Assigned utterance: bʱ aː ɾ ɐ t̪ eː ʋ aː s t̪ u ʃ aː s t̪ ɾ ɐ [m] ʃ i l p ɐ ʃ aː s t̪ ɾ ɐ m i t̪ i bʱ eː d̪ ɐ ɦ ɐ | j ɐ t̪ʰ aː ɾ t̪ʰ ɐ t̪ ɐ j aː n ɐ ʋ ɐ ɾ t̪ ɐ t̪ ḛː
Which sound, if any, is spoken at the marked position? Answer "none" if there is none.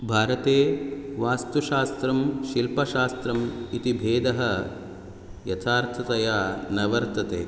m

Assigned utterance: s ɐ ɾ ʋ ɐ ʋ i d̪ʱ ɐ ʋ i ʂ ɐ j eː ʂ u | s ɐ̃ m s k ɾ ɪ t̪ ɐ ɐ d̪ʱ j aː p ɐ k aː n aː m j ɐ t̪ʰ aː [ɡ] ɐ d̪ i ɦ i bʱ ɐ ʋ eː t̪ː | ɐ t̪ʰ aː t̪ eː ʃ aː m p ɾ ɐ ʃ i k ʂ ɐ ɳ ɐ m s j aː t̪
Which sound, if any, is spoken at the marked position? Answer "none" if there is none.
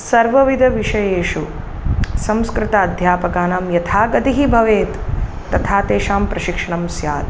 ɡ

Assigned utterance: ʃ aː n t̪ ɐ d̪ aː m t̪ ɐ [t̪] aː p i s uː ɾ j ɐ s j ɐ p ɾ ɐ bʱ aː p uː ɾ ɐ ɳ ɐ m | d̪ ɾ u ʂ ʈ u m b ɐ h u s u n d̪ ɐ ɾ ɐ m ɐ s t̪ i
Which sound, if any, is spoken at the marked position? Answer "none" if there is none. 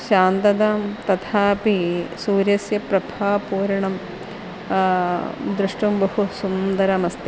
t̪ʰ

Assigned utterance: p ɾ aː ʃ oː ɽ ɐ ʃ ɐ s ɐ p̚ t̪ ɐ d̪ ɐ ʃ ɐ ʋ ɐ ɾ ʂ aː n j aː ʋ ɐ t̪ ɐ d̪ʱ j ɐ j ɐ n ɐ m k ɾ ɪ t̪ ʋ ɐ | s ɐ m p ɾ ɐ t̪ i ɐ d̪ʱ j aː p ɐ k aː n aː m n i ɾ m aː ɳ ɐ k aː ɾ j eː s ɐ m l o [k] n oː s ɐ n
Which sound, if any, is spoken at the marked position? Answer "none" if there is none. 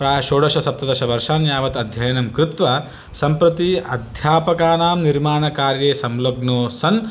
ɡ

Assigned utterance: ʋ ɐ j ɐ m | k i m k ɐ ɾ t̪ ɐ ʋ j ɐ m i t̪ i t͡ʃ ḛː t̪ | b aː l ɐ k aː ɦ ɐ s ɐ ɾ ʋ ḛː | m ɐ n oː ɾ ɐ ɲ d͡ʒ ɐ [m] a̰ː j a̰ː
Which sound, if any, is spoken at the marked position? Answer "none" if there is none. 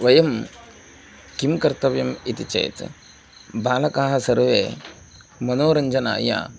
n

